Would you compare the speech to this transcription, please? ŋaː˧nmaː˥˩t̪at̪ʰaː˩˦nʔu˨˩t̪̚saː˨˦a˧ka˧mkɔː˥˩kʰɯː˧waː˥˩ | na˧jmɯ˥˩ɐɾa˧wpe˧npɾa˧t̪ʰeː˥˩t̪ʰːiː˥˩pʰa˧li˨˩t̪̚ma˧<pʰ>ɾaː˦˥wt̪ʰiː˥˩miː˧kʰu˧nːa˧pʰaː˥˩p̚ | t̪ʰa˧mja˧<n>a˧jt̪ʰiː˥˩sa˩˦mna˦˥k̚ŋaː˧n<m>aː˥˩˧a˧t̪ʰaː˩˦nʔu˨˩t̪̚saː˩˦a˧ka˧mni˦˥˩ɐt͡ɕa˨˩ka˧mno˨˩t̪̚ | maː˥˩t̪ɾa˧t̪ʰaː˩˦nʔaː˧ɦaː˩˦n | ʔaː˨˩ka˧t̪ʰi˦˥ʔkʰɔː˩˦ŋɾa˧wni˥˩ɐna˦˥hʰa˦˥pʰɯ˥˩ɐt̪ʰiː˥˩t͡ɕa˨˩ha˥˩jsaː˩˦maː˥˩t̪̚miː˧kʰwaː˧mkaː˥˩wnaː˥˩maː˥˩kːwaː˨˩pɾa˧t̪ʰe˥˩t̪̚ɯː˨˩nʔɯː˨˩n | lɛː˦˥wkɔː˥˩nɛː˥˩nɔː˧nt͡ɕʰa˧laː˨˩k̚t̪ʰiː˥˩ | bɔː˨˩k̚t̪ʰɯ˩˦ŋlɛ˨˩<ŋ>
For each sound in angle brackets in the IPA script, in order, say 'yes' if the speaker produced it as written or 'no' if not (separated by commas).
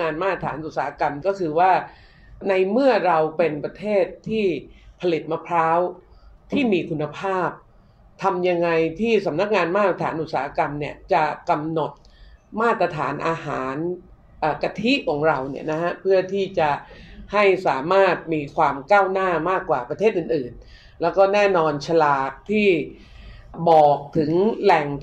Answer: yes, no, yes, yes